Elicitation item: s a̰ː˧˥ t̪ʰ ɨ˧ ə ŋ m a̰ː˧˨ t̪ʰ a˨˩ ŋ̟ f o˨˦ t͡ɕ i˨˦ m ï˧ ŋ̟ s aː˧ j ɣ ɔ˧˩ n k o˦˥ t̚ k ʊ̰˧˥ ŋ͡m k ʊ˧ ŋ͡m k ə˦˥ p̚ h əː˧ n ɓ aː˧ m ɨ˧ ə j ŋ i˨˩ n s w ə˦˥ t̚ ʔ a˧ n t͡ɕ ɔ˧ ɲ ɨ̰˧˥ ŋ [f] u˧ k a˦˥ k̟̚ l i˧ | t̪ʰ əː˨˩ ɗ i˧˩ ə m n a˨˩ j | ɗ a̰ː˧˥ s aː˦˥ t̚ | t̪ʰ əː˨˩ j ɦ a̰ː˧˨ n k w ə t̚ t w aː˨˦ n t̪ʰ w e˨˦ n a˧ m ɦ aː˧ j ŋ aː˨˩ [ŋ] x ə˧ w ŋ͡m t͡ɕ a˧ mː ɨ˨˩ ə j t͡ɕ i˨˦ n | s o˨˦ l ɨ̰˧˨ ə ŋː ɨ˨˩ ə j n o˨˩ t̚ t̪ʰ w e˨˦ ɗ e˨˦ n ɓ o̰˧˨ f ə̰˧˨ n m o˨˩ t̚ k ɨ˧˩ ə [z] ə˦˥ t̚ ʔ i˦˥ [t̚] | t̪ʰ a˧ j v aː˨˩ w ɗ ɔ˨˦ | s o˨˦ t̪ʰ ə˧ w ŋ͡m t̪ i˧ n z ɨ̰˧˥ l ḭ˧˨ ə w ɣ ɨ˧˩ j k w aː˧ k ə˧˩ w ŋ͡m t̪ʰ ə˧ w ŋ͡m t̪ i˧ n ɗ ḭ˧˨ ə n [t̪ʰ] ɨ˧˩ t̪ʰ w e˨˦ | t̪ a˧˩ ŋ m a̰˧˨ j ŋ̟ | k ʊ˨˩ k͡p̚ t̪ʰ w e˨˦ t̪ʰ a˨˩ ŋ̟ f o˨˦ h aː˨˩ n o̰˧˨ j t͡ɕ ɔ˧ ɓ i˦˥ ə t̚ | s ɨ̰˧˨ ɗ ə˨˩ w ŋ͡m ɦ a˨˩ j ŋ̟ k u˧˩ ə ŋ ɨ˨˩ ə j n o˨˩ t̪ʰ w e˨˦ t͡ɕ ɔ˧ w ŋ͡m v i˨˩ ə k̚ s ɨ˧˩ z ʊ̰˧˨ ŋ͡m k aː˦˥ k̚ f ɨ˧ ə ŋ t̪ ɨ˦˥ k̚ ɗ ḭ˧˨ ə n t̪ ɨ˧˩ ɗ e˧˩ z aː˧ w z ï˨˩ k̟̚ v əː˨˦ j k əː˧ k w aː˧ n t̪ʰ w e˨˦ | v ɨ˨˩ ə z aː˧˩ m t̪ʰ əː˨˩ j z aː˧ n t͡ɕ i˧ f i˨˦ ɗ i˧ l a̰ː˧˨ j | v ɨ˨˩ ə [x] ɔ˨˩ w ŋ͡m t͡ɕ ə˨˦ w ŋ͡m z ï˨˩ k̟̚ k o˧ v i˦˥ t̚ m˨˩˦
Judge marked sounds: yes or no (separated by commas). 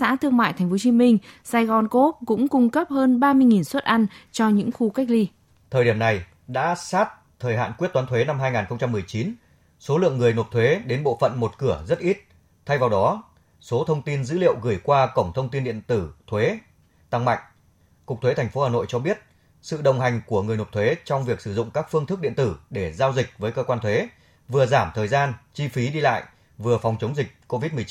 no, no, yes, yes, no, no